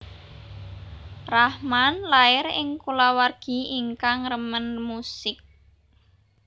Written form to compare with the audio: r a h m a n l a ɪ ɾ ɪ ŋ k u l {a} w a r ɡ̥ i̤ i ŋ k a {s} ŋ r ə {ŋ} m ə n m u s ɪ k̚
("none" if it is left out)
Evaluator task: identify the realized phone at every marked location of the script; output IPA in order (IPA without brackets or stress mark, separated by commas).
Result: a, none, none